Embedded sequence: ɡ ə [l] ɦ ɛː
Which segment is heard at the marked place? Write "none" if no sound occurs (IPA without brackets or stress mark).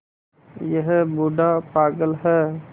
l